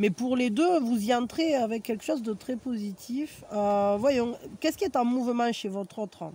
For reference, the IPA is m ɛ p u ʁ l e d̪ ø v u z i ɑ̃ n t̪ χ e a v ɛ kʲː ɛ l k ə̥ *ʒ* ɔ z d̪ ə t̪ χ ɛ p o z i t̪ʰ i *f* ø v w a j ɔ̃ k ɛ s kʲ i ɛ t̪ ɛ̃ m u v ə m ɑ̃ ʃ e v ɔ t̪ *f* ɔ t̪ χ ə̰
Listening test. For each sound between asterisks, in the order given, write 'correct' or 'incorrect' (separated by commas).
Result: incorrect, correct, incorrect